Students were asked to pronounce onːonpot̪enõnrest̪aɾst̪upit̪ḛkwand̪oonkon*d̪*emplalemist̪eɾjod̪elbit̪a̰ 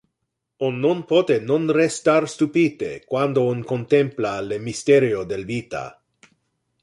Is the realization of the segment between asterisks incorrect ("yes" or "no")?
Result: yes